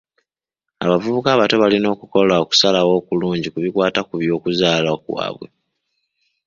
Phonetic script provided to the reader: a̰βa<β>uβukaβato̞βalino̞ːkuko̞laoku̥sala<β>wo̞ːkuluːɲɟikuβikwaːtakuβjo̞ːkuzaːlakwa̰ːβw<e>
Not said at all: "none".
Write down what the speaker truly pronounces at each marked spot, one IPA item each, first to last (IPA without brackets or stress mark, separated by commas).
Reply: v, none, e